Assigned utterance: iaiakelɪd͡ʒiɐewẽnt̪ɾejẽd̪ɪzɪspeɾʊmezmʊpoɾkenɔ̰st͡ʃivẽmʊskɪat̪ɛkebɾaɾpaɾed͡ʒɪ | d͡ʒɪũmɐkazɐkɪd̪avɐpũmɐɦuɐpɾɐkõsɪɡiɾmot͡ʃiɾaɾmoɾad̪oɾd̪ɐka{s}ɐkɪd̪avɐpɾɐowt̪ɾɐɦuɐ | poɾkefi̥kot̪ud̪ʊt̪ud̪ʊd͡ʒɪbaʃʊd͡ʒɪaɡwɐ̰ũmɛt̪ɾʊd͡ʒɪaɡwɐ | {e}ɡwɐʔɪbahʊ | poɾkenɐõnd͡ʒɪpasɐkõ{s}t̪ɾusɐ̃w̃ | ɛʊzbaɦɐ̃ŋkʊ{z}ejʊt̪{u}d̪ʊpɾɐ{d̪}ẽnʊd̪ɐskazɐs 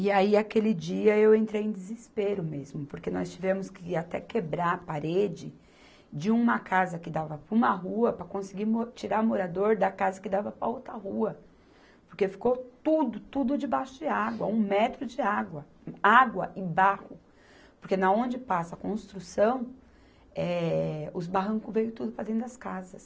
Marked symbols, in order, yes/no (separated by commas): no, no, yes, no, yes, yes